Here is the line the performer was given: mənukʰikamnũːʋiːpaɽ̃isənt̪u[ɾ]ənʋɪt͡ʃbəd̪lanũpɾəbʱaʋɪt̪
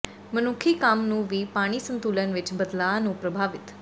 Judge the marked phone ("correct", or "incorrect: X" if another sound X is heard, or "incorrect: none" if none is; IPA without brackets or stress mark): incorrect: l